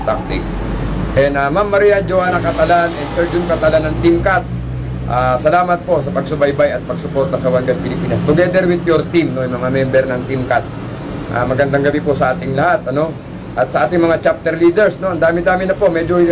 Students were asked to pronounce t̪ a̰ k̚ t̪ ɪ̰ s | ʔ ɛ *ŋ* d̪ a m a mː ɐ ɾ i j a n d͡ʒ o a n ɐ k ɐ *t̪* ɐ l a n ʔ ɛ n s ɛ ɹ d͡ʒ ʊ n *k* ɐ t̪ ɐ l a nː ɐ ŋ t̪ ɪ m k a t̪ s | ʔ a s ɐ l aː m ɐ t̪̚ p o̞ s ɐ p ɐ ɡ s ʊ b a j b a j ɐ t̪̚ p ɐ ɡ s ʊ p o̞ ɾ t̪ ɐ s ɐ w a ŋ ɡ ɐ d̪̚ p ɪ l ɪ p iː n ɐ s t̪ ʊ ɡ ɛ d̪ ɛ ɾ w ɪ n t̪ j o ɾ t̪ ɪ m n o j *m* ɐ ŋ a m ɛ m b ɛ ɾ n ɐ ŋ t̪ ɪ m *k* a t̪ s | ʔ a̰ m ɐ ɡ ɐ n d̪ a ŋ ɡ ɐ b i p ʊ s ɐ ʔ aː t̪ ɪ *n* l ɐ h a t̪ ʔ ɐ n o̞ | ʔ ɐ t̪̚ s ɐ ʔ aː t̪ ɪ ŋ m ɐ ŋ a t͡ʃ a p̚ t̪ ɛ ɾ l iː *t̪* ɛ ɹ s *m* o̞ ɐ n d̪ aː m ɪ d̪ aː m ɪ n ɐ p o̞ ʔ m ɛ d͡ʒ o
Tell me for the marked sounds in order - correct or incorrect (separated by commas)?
incorrect, correct, correct, correct, correct, incorrect, incorrect, incorrect